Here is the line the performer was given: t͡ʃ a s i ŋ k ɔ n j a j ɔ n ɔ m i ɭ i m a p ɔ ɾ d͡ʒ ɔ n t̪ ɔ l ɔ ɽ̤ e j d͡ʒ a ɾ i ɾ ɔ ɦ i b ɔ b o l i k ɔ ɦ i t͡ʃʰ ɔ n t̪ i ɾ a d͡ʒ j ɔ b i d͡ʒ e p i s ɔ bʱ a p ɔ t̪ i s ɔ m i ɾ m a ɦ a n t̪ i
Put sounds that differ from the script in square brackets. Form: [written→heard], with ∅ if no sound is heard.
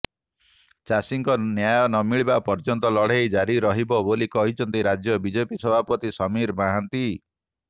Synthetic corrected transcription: t͡ʃ a s i ŋ k ɔ n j a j ɔ n ɔ m i ɭ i [m→b] a p ɔ ɾ d͡ʒ ɔ n t̪ ɔ l ɔ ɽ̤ e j d͡ʒ a ɾ i ɾ ɔ ɦ i b ɔ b o l i k ɔ ɦ i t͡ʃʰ ɔ n t̪ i ɾ a d͡ʒ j ɔ b i d͡ʒ e p i s ɔ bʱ a p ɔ t̪ i s ɔ m i ɾ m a ɦ a n t̪ i